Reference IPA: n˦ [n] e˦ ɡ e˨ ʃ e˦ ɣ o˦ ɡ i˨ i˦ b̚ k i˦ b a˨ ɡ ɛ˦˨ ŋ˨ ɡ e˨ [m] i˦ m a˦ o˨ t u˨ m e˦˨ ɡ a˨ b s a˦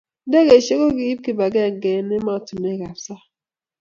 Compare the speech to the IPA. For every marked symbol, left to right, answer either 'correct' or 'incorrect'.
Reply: incorrect, incorrect

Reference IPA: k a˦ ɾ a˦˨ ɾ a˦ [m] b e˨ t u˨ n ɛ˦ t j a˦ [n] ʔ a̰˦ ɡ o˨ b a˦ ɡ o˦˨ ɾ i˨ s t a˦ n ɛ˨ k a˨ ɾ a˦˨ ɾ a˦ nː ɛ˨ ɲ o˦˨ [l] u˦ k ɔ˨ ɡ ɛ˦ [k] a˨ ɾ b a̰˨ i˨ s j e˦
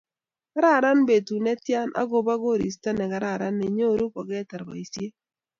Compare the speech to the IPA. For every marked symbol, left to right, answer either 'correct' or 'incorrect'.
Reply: incorrect, correct, incorrect, incorrect

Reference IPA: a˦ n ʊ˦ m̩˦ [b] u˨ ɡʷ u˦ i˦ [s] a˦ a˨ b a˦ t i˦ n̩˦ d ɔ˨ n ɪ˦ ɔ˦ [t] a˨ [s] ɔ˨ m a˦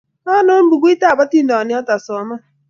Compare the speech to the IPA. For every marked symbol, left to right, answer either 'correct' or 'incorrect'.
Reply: correct, incorrect, correct, correct

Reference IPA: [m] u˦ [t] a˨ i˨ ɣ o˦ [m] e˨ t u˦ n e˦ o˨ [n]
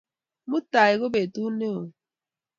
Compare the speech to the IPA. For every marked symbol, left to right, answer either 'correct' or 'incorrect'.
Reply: correct, correct, incorrect, incorrect

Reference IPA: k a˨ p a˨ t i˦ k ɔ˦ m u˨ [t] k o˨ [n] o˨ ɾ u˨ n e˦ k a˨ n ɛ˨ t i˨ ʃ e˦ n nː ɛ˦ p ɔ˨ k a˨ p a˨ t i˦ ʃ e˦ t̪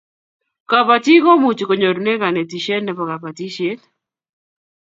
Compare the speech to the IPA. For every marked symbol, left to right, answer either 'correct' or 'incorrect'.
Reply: incorrect, incorrect

